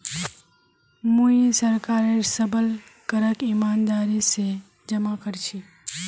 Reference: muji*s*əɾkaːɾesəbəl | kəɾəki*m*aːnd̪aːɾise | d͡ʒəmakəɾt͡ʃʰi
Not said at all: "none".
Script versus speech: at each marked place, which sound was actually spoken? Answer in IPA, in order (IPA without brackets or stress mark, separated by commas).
s, m